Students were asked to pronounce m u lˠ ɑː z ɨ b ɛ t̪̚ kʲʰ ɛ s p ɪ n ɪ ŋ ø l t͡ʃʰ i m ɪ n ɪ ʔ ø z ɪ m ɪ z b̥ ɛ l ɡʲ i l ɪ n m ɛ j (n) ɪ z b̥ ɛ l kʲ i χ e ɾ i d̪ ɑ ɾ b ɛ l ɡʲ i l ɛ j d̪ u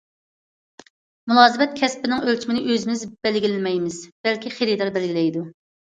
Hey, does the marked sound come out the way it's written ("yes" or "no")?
no